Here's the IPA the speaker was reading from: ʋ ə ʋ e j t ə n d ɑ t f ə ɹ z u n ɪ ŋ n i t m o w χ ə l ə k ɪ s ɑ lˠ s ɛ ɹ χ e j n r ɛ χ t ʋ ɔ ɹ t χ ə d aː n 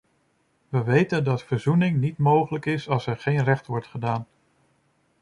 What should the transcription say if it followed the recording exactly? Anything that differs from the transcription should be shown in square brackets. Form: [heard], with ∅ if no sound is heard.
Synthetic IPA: ʋ ə ʋ e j t ə n d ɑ t f ə ɹ z u n ɪ ŋ n i t m o w χ ə l ə k ɪ s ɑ lˠ s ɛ ɹ χ e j n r ɛ χ t ʋ ɔ ɹ t χ ə d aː n